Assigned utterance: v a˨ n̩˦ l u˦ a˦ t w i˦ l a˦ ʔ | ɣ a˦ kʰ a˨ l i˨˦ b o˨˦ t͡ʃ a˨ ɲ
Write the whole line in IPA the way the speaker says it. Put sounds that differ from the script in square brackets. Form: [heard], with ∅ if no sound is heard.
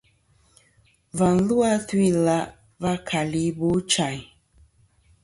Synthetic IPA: v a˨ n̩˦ l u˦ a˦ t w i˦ l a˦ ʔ | [v] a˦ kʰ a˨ l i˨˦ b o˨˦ t͡ʃ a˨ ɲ